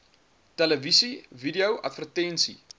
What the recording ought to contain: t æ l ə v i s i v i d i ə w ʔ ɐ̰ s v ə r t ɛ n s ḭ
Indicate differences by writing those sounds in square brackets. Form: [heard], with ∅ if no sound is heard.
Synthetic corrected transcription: t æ l ə v i s i v i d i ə w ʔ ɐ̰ [t] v ə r t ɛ n s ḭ